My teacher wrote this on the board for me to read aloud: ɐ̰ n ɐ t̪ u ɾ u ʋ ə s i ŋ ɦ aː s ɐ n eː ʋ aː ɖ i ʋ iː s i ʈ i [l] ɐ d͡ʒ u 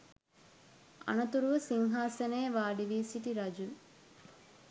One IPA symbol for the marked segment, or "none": ɾ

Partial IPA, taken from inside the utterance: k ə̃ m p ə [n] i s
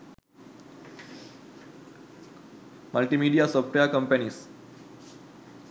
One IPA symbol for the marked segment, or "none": n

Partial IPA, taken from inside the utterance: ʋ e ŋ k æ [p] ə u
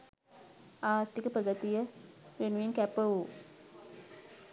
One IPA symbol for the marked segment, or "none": p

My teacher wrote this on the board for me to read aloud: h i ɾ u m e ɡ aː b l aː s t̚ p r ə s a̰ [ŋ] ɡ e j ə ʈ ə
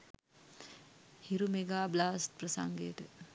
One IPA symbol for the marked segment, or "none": ŋ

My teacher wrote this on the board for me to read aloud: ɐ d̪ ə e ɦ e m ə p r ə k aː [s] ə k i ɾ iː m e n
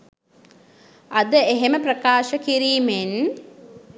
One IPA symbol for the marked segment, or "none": ʃ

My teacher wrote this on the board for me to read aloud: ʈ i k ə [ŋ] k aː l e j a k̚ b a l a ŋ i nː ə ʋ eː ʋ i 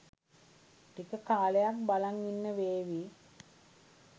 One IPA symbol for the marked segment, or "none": none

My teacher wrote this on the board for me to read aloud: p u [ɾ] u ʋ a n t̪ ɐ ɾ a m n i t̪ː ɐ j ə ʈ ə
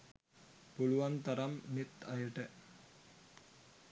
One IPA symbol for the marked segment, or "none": l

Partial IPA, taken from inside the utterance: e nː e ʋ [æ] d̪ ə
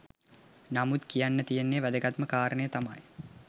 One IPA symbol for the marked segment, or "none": æ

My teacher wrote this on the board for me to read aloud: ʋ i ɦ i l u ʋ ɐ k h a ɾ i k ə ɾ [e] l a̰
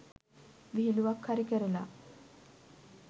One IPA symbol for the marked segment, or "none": e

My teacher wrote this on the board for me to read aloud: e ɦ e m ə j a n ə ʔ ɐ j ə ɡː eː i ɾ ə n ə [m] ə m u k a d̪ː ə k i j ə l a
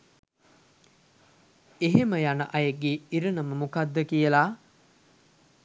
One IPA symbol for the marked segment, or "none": m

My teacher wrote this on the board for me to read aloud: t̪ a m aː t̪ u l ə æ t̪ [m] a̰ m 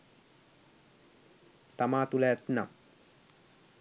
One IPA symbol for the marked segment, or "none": n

